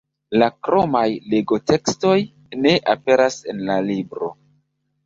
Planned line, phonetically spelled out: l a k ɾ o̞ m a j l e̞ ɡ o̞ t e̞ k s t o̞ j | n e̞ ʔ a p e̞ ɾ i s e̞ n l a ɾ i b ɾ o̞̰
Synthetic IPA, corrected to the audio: l a k ɾ o̞ m a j l e̞ ɡ o̞ t e̞ k s t o̞ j | n e̞ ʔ a p e̞ ɾ a s e̞ n l a l i b ɾ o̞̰